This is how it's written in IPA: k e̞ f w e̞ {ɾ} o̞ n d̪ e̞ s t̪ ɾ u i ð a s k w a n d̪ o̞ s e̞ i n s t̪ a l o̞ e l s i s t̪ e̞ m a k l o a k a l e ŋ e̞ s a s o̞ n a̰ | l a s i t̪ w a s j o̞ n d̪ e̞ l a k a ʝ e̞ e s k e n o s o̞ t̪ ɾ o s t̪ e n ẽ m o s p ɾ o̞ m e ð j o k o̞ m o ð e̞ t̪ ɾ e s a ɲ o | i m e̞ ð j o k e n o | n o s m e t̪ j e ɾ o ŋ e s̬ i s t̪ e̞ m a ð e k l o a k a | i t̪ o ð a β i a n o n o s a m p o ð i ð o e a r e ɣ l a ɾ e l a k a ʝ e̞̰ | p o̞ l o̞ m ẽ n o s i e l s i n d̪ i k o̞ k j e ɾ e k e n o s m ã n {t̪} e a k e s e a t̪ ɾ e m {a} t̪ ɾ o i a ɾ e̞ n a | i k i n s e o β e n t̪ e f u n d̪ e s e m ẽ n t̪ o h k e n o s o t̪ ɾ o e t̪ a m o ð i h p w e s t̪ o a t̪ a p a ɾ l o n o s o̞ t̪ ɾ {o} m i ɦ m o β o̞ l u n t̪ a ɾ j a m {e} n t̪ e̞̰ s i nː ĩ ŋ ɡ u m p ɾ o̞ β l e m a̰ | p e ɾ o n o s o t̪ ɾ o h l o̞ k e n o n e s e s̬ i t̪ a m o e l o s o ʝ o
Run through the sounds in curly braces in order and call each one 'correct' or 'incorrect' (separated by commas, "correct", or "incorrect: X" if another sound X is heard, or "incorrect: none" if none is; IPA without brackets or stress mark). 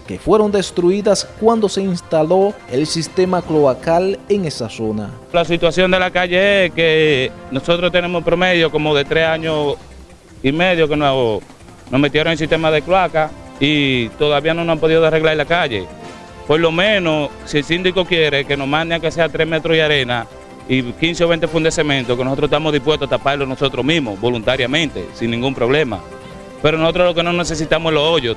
correct, incorrect: d̪, incorrect: e, correct, incorrect: ẽ